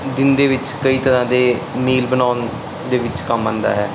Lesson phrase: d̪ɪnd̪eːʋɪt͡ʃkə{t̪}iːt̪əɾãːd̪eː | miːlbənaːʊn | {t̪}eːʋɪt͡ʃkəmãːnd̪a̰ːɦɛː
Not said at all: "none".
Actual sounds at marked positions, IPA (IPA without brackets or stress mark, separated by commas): none, d̪